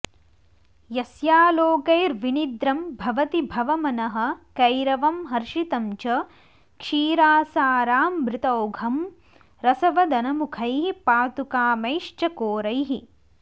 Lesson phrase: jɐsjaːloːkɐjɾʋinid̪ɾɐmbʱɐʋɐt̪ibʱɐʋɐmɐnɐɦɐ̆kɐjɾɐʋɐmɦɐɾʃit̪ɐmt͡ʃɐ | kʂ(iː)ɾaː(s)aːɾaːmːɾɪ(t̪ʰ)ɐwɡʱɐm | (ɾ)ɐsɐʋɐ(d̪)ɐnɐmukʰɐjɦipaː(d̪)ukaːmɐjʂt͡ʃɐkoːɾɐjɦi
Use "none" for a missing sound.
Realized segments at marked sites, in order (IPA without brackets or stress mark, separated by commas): iː, s, t̪, ɾ, d̪, t̪